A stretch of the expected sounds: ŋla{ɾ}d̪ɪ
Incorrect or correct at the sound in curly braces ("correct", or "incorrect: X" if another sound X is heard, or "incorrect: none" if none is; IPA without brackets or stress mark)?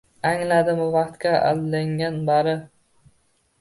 incorrect: none